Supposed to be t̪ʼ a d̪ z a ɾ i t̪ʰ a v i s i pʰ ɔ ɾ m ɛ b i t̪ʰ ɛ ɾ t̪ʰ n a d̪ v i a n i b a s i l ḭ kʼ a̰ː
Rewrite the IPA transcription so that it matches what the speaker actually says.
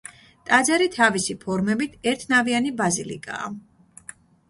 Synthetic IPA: t̪ʼ a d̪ z a ɾ i t̪ʰ a v i s i pʰ ɔ ɾ m ɛ b i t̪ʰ ɛ ɾ t̪ʰ n a v i a n i b a z i l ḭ kʼ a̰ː

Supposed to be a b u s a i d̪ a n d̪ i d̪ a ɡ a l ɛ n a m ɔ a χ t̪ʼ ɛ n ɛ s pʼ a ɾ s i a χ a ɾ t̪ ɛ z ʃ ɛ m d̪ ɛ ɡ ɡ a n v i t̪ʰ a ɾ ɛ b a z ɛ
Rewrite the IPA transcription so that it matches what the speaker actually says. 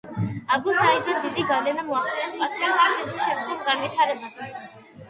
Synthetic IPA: a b u s a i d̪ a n d̪ i d̪ i ɡ a l ɛ n a m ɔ a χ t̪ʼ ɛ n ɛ s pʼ a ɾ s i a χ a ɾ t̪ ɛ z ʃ ɛ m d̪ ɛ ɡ ɡ a n v i t̪ʰ a ɾ ɛ b a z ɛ

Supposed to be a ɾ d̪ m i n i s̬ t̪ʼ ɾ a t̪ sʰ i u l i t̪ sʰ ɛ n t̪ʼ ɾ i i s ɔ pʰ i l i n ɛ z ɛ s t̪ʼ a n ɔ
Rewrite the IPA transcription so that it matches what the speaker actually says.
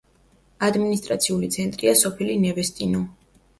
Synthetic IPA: a d̪ m i n i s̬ t̪ʼ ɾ a t̪ sʰ i u l i t̪ sʰ ɛ n t̪ʼ ɾ i a s ɔ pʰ i l i n ɛ v ɛ s t̪ʼ i n ɔ

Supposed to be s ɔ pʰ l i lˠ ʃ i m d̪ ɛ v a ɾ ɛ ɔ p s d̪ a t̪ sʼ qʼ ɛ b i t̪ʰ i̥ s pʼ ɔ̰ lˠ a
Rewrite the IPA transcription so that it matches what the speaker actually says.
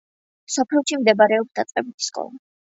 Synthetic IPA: s ɔ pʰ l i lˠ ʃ i m d̪ ɛ b a ɾ ɛ ɔ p s d̪ a t̪ sʼ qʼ ɛ b i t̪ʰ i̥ s kʼ ɔ̰ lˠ a

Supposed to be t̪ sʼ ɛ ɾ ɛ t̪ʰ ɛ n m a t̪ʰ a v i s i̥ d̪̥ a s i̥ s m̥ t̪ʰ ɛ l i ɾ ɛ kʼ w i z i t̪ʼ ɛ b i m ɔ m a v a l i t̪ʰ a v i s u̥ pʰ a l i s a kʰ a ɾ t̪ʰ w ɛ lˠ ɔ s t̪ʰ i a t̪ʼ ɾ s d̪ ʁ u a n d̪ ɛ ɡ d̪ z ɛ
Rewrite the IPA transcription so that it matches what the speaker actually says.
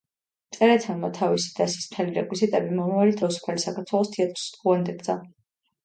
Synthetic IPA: t̪ sʼ ɛ ɾ ɛ t̪ʰ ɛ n m a t̪ʰ a v i s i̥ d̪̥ a s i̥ s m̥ t̪ʰ ɛ l i ɾ ɛ kʼ w i z i t̪ʼ ɛ b i m ɔ m a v a l i t̪ʰ a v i s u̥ pʰ a l i s a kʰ a ɾ t̪ʰ w ɛ lˠ ɔ s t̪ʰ i a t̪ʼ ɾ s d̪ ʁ u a n d̪ ɛ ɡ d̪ z a

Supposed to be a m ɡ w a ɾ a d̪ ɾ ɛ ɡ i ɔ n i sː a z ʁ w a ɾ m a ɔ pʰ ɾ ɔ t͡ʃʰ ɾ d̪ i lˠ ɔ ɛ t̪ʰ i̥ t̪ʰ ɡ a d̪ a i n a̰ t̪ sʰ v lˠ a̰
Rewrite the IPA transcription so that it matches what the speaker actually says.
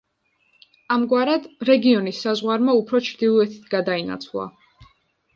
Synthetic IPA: a m ɡ w a ɾ a d̪ ɾ ɛ ɡ i ɔ n i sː a z ʁ w a ɾ m a u pʰ ɾ ɔ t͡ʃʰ ɾ d̪ i lˠ ɔ ɛ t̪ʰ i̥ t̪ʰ ɡ a d̪ a i n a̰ t̪ sʰ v lˠ a̰

